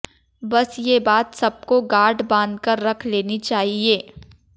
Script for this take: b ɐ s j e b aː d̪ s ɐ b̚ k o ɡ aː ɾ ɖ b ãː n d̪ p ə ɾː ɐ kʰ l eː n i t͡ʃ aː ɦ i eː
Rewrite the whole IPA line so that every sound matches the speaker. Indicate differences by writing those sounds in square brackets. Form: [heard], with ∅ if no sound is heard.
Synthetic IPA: b ɐ s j e b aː [t̪] s ɐ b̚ k o ɡ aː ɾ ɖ b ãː n d̪ [k] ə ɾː ɐ kʰ l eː n i t͡ʃ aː ɦ i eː